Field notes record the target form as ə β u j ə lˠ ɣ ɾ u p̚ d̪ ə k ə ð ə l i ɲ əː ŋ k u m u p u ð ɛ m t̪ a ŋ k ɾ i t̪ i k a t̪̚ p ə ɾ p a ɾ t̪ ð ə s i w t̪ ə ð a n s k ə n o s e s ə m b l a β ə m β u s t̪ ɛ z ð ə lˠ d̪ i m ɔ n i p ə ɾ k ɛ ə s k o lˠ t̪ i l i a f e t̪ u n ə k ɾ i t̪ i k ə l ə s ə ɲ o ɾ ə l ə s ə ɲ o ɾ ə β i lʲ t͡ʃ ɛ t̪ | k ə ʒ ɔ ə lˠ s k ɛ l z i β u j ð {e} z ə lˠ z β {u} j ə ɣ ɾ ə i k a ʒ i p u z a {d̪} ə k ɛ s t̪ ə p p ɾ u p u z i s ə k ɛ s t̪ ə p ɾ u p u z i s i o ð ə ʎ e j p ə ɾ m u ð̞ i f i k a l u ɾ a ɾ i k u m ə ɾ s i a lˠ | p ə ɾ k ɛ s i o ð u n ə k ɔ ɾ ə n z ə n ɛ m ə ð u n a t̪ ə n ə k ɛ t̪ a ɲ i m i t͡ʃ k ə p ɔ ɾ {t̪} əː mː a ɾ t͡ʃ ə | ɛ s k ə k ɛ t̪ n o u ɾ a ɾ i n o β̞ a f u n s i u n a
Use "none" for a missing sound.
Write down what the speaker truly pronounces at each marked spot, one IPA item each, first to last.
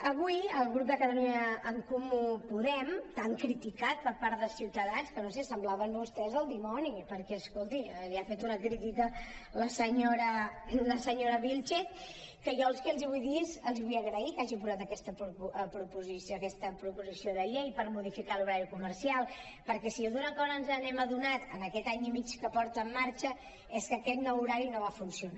i, u, t̪, t̪

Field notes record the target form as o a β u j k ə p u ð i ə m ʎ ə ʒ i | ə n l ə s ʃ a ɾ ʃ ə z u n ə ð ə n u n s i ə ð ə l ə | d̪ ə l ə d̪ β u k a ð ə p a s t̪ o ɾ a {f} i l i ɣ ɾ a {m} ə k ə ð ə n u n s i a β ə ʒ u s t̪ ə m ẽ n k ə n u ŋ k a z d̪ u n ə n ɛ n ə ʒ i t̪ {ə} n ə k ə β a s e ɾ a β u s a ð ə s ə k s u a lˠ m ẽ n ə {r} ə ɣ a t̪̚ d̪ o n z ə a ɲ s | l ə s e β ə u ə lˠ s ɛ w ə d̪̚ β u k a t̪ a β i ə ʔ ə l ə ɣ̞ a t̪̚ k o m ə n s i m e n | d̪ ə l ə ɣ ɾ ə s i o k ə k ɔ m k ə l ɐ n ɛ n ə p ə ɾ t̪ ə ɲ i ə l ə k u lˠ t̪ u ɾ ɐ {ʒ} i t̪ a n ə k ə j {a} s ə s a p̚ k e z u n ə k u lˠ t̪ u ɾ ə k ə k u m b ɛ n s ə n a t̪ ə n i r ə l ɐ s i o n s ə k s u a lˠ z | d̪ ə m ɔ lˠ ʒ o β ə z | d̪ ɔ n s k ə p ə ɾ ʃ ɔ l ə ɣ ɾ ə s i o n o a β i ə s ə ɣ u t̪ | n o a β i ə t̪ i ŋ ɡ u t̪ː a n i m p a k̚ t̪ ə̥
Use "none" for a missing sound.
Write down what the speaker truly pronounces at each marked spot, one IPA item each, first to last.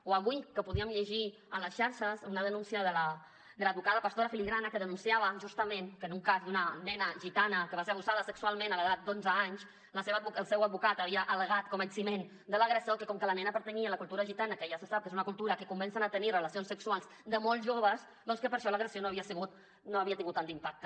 f, n, a, l, ʒ, a

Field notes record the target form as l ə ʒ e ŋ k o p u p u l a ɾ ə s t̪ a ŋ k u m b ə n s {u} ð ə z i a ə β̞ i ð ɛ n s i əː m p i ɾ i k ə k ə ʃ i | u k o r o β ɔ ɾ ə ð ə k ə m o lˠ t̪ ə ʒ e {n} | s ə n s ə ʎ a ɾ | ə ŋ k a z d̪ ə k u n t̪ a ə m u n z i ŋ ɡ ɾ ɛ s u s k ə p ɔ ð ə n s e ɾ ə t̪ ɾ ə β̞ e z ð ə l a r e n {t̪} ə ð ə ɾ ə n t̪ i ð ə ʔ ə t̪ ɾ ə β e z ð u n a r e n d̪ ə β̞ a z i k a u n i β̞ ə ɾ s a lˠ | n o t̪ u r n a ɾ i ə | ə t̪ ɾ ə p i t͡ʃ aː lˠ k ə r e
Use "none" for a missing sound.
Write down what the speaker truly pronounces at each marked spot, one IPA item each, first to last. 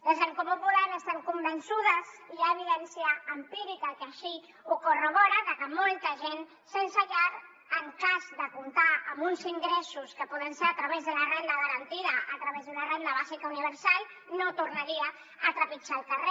u, n, d̪

